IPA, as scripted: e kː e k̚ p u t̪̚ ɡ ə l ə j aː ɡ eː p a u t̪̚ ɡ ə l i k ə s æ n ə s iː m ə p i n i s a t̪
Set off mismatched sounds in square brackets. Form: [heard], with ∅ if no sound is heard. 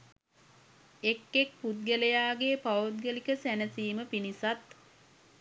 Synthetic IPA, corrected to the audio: e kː e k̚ p u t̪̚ ɡ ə l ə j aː ɡ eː p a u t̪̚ ɡ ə l i k ə s æ n ə s iː m ə p i n i s a t̪